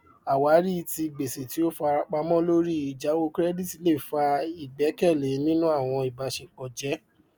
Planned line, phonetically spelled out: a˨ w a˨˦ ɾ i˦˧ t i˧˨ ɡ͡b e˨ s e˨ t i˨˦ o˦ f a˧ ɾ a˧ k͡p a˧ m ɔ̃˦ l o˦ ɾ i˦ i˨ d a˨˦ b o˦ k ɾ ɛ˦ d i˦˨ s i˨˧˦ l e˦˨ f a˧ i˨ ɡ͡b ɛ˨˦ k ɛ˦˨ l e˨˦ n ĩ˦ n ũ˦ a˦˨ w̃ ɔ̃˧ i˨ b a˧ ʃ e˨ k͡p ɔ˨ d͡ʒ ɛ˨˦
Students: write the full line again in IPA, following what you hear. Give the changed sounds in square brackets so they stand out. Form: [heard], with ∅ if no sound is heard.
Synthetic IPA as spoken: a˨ w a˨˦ ɾ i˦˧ t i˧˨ ɡ͡b e˨ s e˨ t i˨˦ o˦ f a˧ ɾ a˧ k͡p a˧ m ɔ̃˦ l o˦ ɾ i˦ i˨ [d͡ʒ] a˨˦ [w] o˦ k ɾ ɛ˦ d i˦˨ [t] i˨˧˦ l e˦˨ f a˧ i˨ ɡ͡b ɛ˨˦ k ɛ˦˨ l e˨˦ n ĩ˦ n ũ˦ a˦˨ w̃ ɔ̃˧ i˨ b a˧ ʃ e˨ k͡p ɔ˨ d͡ʒ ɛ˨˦